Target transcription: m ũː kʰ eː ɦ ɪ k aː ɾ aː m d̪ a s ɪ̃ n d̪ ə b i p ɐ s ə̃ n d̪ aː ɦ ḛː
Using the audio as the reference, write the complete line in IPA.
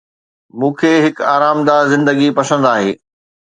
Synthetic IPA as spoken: m ũː kʰ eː ɦ ɪ k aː ɾ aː m d̪ a z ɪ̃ n d̪ ə ɡ i p ɐ s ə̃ n d̪ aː ɦ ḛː